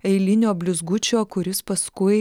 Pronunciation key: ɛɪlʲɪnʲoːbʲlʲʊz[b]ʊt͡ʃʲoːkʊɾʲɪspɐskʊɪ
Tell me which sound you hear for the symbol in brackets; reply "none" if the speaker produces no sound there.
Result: ɡ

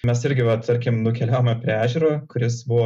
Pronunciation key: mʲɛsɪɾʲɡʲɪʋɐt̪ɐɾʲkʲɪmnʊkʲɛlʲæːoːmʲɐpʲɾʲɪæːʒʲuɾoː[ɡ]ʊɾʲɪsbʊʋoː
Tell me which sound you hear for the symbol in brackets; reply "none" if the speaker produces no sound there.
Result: k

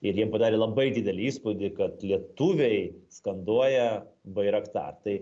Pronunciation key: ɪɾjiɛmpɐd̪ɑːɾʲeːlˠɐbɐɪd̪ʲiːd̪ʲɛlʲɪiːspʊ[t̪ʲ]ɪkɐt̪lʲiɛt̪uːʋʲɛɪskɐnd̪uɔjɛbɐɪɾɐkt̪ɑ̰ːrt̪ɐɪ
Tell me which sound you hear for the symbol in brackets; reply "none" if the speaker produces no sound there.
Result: d̪ʲ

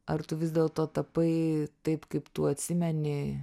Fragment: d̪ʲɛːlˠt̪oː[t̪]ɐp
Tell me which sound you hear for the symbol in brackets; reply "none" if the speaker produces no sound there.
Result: t̪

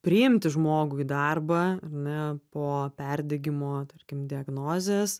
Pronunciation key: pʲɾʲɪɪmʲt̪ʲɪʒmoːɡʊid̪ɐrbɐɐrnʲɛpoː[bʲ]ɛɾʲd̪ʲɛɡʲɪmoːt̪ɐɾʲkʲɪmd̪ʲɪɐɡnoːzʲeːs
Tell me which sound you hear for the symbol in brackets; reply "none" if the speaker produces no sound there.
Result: pʲ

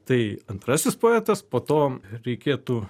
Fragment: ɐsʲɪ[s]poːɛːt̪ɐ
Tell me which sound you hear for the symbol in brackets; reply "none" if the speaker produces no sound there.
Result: s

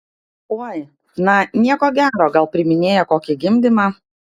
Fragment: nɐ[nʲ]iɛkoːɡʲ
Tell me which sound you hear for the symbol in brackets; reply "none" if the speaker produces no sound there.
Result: nʲ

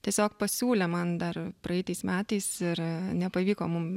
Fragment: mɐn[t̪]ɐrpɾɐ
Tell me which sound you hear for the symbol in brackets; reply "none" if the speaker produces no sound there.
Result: d̪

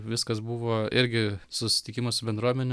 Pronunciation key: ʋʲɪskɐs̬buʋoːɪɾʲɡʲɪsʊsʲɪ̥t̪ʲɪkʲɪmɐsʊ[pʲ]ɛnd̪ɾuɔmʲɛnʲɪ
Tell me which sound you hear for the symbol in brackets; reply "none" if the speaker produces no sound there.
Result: bʲ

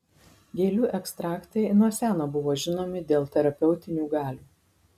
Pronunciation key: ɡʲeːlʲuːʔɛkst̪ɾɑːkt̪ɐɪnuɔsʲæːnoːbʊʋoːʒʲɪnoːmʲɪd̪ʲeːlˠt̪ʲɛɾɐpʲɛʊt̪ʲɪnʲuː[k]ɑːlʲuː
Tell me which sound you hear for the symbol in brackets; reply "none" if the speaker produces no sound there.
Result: ɡ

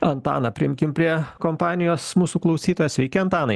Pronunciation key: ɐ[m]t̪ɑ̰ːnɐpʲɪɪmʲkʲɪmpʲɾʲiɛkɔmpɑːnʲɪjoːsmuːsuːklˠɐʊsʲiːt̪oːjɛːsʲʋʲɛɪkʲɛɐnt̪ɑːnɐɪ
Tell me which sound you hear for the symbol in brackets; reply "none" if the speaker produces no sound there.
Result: n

